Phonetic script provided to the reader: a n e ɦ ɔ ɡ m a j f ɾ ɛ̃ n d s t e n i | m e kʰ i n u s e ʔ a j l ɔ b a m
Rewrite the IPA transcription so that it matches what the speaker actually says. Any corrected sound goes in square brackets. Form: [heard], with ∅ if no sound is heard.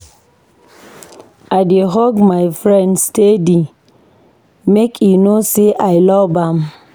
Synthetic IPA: a [d] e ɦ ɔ ɡ m a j f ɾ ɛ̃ n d s t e [d] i | m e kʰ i n [o] s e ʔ a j l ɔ b a m